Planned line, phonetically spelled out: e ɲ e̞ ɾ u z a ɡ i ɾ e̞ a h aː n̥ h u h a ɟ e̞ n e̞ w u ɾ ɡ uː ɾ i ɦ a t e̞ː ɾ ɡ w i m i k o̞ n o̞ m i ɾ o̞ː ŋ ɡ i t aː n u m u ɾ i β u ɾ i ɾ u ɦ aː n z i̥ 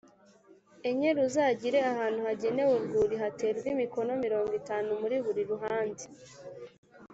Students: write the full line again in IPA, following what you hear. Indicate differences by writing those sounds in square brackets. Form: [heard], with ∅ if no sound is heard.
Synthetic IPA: e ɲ e̞ ɾ u z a [ɟ] i ɾ e̞ a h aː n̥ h u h a ɟ e̞ n e̞ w u ɾ ɡ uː ɾ i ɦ a t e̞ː ɾ ɡ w i m i k o̞ n o̞ m i ɾ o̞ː ŋ ɡ i t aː n u m u ɾ i β u ɾ i ɾ u ɦ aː n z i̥